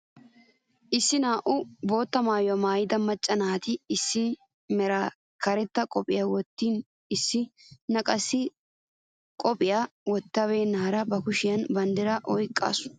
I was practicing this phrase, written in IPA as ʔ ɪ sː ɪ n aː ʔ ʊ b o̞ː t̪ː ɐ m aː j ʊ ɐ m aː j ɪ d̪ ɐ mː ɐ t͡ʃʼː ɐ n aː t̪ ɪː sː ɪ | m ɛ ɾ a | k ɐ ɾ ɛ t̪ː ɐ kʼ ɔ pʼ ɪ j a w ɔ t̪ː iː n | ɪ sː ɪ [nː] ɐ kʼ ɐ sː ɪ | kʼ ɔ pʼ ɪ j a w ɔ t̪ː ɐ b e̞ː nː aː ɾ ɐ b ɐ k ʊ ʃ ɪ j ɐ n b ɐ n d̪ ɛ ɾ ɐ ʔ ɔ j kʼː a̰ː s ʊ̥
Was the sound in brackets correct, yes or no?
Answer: no